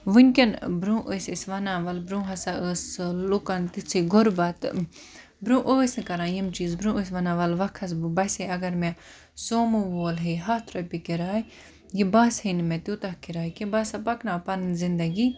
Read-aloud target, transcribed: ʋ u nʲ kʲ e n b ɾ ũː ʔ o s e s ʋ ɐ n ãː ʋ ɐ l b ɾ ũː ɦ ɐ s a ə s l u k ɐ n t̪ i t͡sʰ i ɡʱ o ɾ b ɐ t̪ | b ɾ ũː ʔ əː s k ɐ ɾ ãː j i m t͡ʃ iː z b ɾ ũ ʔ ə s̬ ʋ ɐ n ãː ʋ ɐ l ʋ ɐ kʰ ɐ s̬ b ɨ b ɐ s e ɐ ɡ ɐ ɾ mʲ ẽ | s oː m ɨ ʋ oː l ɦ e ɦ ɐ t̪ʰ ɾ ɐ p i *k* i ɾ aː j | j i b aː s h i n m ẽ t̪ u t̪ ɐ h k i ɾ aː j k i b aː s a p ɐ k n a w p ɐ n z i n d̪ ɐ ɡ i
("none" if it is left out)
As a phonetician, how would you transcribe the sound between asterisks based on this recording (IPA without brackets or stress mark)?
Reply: k